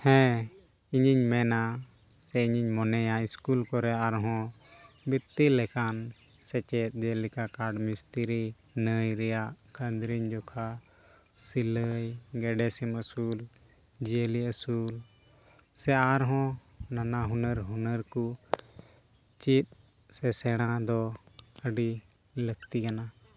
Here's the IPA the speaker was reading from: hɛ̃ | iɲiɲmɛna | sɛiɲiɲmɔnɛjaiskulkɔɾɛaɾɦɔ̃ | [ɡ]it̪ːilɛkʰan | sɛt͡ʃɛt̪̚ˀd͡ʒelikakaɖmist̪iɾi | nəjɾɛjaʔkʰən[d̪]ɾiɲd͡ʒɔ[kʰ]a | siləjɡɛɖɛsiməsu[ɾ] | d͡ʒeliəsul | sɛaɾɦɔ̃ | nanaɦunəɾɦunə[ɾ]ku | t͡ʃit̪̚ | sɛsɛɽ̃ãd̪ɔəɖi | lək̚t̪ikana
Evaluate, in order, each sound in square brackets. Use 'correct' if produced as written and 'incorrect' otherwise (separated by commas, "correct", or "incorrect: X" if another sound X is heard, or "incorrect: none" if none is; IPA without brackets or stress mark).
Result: incorrect: b, correct, correct, incorrect: l, correct